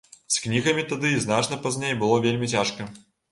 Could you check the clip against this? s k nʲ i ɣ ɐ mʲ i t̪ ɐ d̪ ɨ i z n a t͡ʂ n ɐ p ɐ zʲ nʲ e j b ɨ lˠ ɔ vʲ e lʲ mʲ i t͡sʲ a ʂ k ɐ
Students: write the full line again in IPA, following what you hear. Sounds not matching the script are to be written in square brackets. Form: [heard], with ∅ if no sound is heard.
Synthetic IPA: s k nʲ i ɣ ɐ mʲ i t̪ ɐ d̪ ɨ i z n a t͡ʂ n ɐ p ɐ zʲ nʲ e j b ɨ lˠ ɔ vʲ e lʲ mʲ i t͡sʲ a ʂ k ɐ